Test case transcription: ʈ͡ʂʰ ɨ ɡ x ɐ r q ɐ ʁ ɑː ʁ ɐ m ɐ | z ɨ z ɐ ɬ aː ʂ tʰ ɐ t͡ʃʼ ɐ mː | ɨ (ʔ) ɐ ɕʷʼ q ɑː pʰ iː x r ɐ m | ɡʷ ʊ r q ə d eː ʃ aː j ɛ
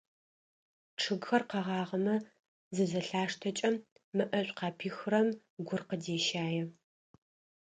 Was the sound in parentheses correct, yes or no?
yes